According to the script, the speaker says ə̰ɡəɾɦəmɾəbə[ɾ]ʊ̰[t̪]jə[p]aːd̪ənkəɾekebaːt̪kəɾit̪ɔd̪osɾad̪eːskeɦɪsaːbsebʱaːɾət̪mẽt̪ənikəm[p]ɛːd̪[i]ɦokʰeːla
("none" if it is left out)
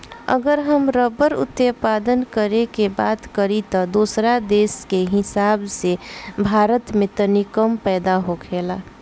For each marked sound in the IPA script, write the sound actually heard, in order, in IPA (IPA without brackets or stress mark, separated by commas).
ɾ, t̪, p, p, a